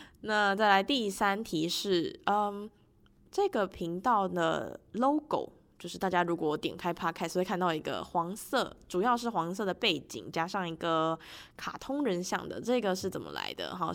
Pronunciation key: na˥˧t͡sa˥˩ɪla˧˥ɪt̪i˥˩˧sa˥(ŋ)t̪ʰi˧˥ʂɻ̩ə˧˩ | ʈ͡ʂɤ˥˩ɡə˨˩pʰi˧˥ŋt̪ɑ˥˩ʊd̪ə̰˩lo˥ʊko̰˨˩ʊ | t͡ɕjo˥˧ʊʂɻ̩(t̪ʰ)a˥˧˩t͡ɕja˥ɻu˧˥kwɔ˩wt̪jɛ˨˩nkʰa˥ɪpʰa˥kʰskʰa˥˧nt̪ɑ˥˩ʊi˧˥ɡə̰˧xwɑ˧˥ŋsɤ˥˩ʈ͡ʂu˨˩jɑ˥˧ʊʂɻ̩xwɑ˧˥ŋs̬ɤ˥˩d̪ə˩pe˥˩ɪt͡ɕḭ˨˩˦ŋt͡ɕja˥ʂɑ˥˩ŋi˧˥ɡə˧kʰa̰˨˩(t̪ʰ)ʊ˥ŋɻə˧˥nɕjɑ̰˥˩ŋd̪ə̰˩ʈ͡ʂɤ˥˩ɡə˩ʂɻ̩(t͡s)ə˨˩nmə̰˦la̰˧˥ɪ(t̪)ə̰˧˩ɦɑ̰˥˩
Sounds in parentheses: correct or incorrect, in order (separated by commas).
incorrect, incorrect, correct, correct, incorrect